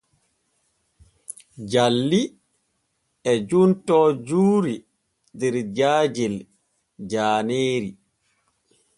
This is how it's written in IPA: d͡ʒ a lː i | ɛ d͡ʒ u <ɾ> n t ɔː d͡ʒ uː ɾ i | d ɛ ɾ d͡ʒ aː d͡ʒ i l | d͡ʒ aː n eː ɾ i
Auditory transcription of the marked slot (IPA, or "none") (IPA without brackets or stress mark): none